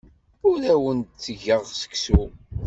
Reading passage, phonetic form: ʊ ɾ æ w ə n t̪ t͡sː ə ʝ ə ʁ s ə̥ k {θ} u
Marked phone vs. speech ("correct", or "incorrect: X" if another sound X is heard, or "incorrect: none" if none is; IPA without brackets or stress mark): incorrect: s